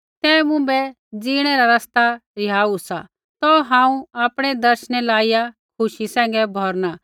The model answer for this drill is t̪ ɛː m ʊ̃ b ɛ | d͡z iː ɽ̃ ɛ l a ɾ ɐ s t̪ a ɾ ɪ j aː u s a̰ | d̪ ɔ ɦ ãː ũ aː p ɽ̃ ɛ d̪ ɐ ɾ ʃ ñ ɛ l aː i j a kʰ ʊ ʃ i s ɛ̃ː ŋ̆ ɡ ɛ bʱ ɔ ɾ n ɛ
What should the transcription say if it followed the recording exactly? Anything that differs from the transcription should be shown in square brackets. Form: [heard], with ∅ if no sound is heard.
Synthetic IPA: t̪ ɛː m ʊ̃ b ɛ | d͡z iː ɽ̃ ɛ [ɾ] a ɾ ɐ s t̪ a ɾ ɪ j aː u s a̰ | [t̪] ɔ ɦ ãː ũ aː p ɽ̃ ɛ d̪ ɐ ɾ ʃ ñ ɛ l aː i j a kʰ ʊ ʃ i s ɛ̃ː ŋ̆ ɡ ɛ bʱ ɔ ɾ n [a]